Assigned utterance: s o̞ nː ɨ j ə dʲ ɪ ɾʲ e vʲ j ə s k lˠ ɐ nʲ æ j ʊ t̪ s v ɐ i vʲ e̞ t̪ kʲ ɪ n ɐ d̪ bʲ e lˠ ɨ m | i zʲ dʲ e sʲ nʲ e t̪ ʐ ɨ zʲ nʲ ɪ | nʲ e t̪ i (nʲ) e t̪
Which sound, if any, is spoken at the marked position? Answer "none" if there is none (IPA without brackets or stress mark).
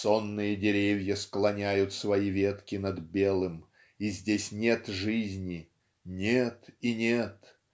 nʲ